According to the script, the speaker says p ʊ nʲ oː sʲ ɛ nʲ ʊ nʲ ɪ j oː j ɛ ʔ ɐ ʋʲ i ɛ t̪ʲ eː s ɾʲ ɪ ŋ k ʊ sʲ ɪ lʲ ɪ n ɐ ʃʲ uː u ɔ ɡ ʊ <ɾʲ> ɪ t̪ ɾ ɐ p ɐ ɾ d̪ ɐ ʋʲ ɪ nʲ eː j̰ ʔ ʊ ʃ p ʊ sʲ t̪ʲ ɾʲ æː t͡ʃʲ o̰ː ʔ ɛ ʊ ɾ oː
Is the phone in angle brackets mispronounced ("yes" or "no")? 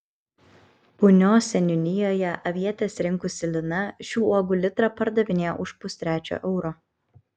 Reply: yes